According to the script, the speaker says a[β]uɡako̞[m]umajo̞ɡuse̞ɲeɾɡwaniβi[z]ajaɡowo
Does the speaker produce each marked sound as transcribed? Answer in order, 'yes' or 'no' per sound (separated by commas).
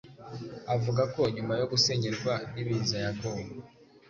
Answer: no, no, yes